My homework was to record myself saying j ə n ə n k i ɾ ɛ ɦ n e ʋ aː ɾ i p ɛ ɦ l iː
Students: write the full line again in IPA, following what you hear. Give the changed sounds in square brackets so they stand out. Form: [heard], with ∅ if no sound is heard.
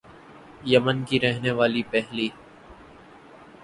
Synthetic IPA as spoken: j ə [m] ə n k i ɾ ɛ ɦ n e ʋ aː [l] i p ɛ ɦ l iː